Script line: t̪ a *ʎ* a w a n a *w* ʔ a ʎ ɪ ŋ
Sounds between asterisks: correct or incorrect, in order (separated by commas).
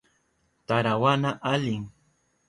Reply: incorrect, incorrect